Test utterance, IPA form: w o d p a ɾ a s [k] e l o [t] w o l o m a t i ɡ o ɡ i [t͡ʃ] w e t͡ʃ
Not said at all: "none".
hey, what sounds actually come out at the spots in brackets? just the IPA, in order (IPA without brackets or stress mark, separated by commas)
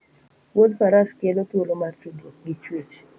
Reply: k, t, t͡ʃ